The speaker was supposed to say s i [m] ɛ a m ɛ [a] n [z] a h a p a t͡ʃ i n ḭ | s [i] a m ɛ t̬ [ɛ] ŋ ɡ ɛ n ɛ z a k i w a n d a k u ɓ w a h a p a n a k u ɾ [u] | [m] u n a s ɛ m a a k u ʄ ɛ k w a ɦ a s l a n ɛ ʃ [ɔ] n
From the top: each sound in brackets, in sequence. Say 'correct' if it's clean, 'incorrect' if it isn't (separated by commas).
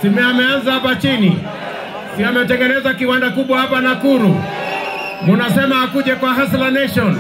correct, correct, correct, correct, correct, correct, correct, correct